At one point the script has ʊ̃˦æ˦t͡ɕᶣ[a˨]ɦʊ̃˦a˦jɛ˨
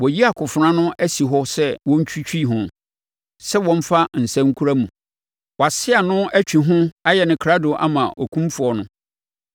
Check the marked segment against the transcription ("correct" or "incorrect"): incorrect